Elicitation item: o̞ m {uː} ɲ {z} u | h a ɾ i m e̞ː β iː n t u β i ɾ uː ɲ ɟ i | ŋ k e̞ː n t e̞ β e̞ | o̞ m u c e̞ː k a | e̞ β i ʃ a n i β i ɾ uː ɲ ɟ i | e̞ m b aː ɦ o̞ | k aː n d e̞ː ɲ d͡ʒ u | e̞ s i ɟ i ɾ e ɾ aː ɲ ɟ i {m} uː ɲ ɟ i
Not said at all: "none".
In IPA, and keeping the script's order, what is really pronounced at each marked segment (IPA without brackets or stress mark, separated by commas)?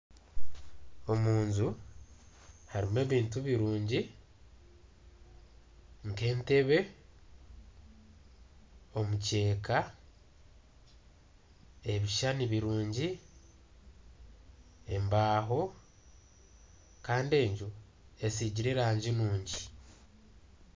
uː, z, n